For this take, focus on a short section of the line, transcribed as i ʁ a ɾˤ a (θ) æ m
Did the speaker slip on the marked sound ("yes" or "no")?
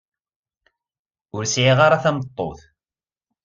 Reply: no